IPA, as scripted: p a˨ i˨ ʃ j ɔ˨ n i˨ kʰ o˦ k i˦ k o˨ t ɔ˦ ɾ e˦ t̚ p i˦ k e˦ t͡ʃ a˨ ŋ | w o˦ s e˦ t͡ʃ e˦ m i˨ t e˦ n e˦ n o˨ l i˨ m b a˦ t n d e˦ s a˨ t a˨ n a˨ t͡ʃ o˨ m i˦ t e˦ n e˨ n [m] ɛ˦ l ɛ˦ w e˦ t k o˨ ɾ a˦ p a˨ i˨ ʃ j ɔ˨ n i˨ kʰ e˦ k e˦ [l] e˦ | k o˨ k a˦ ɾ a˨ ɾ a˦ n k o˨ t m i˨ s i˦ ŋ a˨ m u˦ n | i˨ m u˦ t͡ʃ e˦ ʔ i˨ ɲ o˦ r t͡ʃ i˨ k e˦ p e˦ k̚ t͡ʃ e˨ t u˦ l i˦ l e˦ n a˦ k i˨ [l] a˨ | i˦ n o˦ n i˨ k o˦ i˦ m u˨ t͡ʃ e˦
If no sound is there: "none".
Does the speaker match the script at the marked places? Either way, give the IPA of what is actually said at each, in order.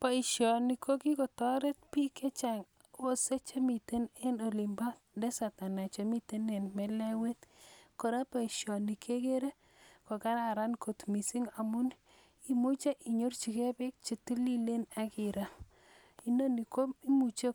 m, ɾ, ɾ

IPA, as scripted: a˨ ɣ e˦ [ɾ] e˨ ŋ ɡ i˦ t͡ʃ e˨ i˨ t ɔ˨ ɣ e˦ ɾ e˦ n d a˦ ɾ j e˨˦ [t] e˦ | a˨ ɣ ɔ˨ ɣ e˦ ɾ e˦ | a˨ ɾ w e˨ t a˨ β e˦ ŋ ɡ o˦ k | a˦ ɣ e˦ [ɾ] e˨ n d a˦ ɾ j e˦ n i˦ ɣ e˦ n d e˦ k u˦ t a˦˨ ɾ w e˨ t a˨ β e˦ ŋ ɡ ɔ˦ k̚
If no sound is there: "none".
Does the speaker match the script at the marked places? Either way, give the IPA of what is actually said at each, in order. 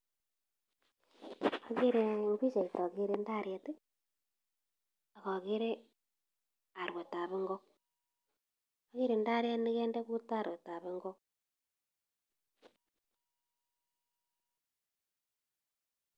ɾ, t, ɾ

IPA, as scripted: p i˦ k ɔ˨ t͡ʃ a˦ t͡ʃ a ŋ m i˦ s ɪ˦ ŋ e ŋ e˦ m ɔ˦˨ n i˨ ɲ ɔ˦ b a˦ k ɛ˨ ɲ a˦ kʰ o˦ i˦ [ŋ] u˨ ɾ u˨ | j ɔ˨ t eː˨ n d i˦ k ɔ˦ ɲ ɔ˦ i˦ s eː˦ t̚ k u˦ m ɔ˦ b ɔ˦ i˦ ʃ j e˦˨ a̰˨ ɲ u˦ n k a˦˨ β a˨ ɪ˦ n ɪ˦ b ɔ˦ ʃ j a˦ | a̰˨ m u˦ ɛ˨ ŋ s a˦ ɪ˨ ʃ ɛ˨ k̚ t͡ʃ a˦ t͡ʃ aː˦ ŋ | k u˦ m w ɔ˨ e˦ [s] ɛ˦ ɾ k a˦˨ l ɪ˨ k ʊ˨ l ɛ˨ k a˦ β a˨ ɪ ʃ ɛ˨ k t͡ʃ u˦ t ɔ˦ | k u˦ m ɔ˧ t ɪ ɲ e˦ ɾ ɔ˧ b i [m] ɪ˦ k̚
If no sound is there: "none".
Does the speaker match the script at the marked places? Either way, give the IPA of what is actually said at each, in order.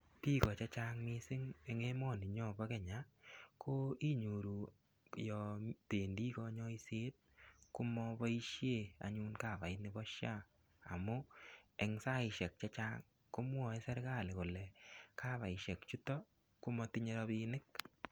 ɲ, s, n

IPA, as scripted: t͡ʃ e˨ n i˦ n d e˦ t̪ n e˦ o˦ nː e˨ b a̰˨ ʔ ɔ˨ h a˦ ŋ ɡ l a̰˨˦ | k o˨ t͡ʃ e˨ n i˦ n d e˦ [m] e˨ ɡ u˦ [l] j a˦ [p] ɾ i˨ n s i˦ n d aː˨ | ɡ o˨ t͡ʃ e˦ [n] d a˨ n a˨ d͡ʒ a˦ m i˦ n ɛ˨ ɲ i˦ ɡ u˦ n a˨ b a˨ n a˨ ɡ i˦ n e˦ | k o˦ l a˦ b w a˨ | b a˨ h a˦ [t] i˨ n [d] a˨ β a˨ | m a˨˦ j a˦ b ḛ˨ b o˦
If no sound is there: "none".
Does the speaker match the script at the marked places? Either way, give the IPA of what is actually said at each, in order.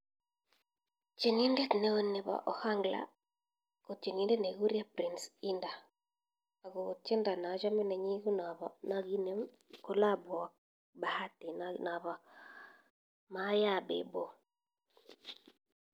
n, ɾ, p, n, t, n

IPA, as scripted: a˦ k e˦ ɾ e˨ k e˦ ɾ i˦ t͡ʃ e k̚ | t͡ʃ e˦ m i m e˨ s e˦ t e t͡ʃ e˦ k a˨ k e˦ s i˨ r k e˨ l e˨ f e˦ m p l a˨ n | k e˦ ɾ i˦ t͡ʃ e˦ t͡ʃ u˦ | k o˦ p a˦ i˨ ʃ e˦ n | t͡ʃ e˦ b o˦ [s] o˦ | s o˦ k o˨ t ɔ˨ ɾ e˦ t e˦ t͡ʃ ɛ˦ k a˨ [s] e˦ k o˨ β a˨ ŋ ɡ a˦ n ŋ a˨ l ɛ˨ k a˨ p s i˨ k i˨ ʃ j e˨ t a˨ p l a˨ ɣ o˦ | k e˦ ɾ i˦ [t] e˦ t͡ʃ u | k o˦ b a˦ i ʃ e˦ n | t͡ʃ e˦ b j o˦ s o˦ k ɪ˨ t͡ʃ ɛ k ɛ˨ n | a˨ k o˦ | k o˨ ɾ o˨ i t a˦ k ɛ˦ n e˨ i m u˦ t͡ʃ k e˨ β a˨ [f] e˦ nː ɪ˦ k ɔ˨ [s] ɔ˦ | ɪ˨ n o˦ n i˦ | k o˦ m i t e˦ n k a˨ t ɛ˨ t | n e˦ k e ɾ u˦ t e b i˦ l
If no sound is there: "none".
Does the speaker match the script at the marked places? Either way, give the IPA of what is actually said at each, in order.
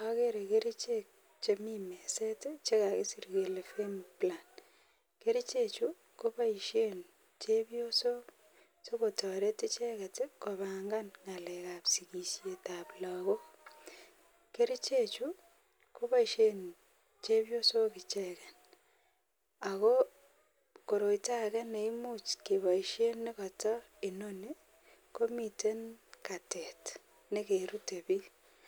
s, t, t͡ʃ, ʃ, t

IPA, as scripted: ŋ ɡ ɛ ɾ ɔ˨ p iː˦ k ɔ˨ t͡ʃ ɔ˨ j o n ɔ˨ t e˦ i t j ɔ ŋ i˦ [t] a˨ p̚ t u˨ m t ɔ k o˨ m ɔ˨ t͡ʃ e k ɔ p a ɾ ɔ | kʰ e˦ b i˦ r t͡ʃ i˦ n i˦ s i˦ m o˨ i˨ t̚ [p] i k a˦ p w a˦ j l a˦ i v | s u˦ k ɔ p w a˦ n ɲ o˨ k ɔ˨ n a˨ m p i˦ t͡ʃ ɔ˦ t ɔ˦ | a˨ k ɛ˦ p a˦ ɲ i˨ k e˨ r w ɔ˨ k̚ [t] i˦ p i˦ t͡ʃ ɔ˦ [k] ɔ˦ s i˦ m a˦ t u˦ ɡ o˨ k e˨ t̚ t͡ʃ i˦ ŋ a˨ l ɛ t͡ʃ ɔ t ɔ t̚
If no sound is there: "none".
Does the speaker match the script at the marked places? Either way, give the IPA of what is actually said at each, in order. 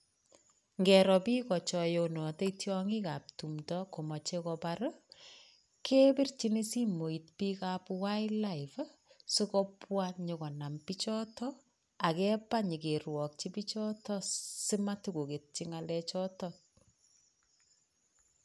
k, p, t͡ʃ, t

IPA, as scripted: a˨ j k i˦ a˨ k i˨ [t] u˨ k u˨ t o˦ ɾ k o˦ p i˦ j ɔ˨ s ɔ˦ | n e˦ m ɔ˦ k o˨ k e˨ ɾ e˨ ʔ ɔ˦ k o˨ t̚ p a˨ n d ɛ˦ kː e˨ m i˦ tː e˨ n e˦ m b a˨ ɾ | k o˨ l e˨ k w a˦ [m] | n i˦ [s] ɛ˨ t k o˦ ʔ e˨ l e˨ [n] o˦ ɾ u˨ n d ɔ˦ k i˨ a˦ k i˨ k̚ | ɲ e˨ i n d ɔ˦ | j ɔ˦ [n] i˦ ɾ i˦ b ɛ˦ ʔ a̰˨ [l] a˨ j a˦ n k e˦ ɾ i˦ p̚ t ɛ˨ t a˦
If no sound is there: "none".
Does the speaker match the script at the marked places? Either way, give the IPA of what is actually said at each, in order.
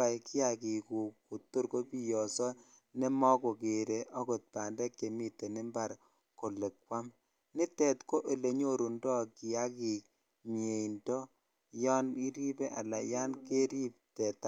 k, m, t, ɲ, n, l

